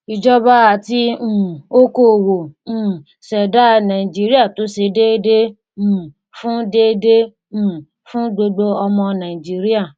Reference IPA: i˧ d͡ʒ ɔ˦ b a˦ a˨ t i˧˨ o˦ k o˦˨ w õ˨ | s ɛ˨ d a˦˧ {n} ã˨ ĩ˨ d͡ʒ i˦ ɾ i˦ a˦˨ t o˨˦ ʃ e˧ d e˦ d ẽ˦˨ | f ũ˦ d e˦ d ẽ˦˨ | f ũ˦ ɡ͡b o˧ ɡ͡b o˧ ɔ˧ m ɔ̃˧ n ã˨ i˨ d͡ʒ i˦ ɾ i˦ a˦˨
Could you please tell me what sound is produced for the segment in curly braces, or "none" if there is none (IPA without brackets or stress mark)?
n